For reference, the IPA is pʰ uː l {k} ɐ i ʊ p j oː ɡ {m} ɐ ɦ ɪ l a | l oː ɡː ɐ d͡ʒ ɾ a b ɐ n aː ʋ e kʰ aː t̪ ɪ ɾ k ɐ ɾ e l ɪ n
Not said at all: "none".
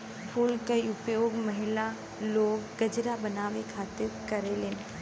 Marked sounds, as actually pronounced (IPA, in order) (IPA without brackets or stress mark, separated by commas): k, m